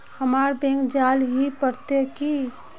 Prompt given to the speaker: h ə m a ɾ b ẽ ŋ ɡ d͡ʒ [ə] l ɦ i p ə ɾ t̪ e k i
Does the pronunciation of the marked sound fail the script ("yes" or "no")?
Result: yes